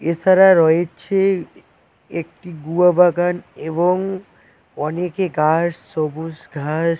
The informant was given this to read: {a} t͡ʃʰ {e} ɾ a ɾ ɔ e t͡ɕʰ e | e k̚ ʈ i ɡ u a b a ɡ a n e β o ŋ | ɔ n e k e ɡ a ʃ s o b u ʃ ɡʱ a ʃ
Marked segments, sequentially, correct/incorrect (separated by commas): incorrect, incorrect